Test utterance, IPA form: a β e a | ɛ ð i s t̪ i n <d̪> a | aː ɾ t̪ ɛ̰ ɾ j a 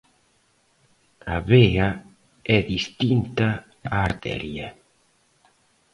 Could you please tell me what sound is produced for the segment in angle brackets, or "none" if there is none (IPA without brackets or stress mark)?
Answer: t̪